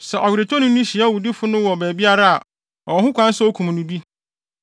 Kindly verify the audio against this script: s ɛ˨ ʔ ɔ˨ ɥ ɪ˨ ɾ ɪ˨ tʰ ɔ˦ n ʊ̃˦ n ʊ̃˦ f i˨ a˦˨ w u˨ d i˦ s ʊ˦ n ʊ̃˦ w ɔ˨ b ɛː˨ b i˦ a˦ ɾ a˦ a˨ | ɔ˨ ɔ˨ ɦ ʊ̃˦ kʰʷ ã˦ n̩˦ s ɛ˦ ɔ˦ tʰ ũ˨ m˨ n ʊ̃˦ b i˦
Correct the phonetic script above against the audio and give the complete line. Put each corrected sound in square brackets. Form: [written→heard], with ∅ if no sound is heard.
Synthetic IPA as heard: s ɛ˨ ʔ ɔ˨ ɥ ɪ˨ ɾ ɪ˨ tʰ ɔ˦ n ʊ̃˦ n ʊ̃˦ [f→ɕ] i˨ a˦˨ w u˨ d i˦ [s→f] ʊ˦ n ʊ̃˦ w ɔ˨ b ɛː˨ b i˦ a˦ ɾ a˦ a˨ | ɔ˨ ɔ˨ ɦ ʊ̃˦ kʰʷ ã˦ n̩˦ s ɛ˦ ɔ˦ [tʰ→kʰ] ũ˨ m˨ n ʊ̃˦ b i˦